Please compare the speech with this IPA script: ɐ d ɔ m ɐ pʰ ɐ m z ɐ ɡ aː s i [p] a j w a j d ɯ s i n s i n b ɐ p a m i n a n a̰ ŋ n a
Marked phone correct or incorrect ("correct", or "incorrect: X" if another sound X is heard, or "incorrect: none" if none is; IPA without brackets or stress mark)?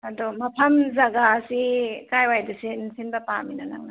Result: incorrect: k